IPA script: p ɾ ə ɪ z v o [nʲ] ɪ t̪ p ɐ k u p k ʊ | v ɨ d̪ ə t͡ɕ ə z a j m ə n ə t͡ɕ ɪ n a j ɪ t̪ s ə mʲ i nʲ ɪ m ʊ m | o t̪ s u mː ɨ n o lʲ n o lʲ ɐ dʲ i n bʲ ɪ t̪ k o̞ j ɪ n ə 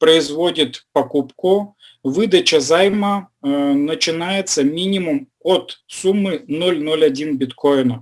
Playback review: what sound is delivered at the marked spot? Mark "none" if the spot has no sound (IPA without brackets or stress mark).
dʲ